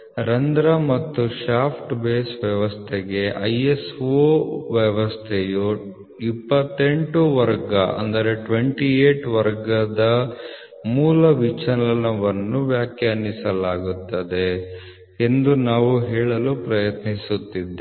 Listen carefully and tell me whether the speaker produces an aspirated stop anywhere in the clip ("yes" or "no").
yes